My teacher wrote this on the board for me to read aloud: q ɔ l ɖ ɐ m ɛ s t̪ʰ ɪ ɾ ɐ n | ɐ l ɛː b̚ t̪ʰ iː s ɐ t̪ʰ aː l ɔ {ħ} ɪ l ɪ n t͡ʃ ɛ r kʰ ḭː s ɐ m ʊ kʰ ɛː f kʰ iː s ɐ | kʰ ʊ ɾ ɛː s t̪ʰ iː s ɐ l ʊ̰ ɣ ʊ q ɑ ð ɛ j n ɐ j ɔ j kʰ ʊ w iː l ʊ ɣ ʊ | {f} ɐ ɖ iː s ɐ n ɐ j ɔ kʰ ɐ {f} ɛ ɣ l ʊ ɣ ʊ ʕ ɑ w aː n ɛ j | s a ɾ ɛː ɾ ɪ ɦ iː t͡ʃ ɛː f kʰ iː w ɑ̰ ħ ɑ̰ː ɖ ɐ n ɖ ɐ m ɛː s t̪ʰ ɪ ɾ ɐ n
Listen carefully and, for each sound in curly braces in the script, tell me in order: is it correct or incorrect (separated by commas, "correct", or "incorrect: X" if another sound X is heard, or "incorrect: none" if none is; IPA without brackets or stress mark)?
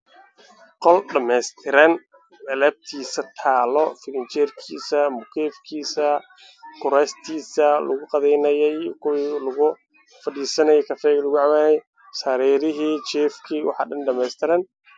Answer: incorrect: f, correct, correct